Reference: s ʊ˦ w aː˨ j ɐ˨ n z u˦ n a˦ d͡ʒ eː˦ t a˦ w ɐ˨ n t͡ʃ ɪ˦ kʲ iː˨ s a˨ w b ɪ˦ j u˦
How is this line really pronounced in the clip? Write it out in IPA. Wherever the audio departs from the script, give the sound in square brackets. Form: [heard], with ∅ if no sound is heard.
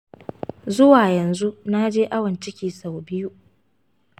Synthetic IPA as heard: [z] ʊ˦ w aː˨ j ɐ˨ n z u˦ n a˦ d͡ʒ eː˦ [ʔ] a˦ w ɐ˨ n t͡ʃ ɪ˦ kʲ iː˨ s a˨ w b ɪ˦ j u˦